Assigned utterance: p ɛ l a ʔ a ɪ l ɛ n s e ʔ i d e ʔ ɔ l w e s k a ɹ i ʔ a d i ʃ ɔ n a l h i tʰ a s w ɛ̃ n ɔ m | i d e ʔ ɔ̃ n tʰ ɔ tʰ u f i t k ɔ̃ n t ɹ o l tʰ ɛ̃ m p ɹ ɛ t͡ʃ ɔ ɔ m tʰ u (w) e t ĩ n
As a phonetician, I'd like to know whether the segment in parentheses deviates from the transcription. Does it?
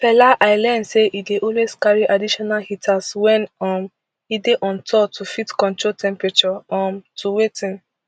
no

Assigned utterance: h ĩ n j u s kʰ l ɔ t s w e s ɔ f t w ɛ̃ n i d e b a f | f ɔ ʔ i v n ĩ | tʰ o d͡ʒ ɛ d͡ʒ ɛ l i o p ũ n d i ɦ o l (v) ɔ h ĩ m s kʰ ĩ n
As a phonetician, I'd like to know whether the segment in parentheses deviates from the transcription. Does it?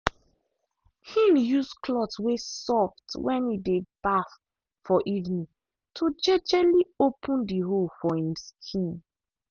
yes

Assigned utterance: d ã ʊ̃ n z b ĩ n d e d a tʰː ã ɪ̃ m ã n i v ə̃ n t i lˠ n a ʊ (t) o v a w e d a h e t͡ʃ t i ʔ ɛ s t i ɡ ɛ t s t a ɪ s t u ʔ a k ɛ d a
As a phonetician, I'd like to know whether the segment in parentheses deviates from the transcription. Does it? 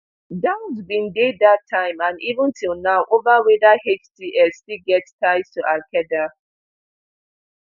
yes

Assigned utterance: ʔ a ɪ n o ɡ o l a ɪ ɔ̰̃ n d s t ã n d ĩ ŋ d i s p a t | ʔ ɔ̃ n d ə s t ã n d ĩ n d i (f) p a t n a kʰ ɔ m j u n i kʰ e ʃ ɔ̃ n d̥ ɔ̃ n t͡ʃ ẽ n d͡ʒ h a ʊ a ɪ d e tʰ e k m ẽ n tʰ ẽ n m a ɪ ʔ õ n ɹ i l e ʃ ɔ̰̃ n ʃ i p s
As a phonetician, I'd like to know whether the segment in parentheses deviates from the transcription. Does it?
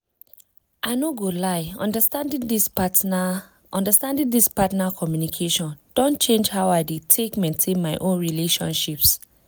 yes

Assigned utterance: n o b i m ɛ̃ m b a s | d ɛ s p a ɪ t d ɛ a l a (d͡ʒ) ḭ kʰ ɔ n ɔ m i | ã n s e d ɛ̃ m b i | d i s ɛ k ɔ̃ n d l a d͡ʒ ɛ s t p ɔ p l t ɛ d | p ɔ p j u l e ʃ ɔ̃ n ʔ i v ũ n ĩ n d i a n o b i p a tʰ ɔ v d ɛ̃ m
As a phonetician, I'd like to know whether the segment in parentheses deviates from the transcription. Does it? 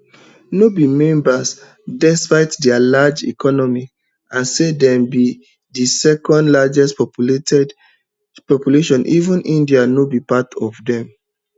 no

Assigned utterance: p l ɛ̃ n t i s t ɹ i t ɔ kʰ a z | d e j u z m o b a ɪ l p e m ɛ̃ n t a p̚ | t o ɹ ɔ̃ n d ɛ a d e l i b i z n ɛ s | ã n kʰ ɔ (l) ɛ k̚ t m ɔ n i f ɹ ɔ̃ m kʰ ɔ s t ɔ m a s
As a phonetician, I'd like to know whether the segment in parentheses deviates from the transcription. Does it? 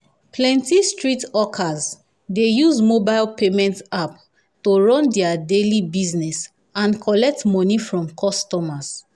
no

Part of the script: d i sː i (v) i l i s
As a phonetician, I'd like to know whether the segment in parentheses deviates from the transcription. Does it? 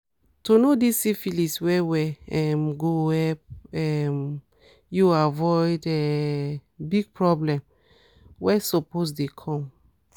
yes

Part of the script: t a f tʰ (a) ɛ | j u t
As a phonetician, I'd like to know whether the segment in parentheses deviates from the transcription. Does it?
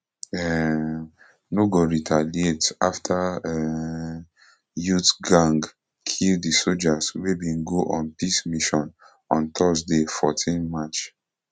no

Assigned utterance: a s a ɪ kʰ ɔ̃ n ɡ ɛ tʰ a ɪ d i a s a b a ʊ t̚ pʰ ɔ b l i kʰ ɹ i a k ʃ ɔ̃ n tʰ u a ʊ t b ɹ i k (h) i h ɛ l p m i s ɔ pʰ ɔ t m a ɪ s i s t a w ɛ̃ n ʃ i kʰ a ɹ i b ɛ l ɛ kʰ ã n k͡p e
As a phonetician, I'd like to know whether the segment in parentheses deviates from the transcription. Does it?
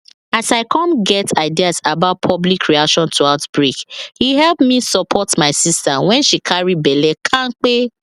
no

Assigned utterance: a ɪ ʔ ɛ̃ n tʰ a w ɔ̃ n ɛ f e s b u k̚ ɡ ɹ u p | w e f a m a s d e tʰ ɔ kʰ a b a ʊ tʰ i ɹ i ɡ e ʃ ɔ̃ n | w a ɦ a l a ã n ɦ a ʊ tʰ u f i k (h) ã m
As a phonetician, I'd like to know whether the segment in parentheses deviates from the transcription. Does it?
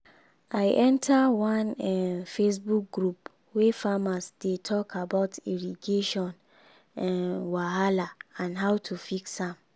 yes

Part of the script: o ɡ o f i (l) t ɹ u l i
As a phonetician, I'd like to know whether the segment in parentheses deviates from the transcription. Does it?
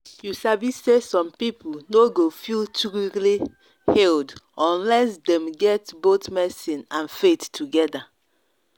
no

